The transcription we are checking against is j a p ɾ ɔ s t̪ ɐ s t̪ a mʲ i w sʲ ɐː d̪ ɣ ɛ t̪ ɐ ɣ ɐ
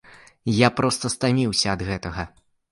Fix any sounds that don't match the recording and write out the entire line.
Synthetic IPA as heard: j a p ɾ ɔ s t̪ ɐ s t̪ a mʲ i w sʲ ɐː d̪ ɣ ɛ t̪ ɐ ɣ ɐ